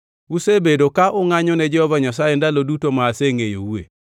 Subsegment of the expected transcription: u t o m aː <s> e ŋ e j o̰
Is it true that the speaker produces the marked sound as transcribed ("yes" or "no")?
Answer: yes